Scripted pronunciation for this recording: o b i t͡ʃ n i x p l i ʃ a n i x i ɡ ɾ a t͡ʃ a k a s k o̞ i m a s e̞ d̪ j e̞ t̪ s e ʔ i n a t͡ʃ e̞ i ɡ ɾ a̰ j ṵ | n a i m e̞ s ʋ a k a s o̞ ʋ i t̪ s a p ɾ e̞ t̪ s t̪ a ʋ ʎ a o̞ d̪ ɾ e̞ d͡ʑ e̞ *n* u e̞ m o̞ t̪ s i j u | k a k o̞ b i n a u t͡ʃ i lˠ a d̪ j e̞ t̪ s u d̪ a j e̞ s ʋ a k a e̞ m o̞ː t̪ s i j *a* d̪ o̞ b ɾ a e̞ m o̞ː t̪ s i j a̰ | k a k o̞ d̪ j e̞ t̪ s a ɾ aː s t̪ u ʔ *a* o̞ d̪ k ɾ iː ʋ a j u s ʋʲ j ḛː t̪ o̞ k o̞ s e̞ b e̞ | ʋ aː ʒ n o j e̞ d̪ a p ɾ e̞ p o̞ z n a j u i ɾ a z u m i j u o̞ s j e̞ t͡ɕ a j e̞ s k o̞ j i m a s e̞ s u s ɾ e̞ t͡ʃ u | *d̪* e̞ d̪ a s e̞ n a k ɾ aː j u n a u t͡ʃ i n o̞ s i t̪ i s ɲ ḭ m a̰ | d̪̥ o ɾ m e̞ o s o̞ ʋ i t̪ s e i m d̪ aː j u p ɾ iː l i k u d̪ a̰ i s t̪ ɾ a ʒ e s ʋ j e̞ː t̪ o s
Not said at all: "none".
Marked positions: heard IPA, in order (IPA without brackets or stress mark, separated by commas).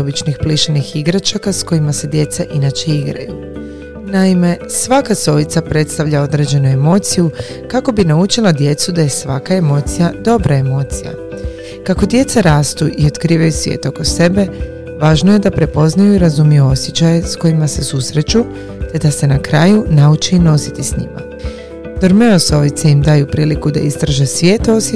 n, a, i, t̪